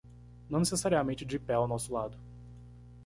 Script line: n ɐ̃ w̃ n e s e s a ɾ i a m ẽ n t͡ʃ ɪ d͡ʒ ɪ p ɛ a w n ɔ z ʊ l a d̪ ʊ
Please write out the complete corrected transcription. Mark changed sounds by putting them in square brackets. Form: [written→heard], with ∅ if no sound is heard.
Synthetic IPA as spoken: n ɐ̃ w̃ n e s e s a ɾ i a m ẽ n t͡ʃ ɪ d͡ʒ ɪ p ɛ a w n ɔ [z→s] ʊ l a d̪ ʊ